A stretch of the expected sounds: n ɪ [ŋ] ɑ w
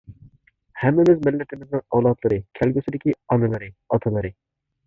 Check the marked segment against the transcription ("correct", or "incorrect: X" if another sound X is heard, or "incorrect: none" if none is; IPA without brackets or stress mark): correct